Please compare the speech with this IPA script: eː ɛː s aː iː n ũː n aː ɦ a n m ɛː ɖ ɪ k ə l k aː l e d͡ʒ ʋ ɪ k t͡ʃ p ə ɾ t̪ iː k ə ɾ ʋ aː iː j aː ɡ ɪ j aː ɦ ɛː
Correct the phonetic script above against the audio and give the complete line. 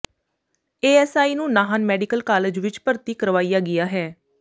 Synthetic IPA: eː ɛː s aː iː n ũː n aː ɦ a n m ɛː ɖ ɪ k ə l k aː l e d͡ʒ ʋ ɪ t͡ʃ p ə ɾ t̪ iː k ə ɾ ʋ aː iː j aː ɡ ɪ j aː ɦ ɛː